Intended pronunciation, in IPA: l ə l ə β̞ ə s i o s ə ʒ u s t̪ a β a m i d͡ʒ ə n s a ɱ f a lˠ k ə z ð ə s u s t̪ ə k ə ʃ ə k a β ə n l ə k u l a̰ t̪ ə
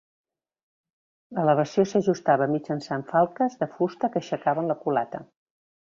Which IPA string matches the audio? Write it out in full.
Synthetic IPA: l ə l ə β̞ ə s i o s ə ʒ u s t̪ a β ə m i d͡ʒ ə n s a ɱ f a lˠ k ə z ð ə f u s t̪ ə k ə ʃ ə k a β ə n l ə k u l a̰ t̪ ə